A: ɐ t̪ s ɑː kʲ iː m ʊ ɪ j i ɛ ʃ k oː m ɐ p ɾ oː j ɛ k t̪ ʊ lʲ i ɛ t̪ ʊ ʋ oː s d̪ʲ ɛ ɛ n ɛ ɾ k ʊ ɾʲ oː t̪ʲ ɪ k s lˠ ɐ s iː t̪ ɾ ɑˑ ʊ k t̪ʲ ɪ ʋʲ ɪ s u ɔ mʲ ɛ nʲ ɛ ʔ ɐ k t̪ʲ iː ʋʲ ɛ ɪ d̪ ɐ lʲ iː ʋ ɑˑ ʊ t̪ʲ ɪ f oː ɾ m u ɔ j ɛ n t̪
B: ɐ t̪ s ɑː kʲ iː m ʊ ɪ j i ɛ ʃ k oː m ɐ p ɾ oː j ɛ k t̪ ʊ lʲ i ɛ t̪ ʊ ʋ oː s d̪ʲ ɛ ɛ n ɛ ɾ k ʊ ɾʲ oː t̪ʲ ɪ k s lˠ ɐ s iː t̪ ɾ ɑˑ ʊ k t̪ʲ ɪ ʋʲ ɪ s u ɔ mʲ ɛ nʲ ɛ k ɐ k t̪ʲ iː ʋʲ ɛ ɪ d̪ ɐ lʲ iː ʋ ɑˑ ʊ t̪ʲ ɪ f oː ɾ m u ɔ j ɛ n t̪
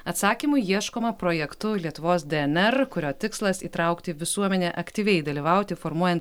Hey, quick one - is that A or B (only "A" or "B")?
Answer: A